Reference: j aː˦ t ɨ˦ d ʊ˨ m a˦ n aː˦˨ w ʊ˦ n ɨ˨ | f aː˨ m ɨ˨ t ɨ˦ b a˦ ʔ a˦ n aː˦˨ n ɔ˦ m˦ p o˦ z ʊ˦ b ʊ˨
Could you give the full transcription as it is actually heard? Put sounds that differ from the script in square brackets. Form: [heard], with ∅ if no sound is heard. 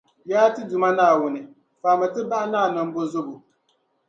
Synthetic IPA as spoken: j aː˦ t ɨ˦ d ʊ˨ m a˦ n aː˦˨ w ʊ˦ n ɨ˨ | f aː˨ m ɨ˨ t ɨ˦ b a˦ ʔ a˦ n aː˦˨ n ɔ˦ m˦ [b] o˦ z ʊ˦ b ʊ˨